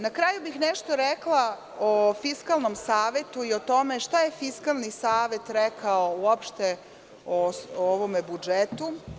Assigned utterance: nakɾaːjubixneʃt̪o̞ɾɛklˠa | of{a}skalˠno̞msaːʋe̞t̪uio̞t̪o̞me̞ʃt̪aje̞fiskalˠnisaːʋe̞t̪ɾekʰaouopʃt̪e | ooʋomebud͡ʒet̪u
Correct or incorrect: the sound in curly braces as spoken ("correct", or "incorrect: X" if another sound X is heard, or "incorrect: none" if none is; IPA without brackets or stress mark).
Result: incorrect: i